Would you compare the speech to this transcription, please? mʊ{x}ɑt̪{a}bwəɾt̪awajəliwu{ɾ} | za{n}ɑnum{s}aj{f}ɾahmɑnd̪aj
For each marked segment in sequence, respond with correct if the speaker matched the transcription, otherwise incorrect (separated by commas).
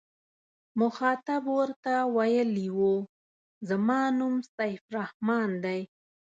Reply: correct, correct, incorrect, incorrect, correct, correct